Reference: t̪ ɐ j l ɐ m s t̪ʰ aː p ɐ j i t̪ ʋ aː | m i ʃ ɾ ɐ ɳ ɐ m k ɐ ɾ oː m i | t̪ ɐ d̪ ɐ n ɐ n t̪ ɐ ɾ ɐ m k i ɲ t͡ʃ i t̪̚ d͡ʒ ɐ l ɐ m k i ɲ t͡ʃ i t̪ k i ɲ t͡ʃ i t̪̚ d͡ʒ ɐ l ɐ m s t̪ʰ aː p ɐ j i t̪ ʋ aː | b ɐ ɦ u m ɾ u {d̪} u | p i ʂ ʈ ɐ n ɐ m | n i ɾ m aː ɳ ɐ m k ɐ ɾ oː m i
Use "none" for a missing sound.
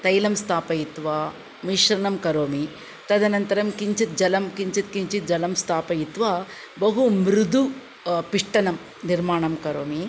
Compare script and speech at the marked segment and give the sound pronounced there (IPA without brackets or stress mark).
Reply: d̪